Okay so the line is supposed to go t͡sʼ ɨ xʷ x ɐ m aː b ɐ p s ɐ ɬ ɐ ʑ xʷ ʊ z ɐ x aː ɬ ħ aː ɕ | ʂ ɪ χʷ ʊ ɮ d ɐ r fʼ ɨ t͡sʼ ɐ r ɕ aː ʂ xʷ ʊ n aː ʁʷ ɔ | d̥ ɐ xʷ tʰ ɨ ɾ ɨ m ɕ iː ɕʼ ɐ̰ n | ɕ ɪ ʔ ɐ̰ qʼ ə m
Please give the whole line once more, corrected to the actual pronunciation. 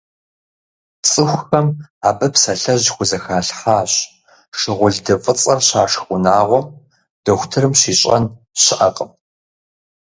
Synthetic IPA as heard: t͡sʼ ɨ xʷ x ɐ m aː b ɐ p s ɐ ɬ ɐ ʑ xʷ ʊ z ɐ x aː ɬ ħ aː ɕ | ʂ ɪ ʁʷ ʊ ɮ d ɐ fʼ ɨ t͡sʼ ɐ r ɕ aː ʂ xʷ ʊ n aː ʁʷ ɔ | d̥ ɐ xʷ tʰ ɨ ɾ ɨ m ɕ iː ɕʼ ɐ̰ n | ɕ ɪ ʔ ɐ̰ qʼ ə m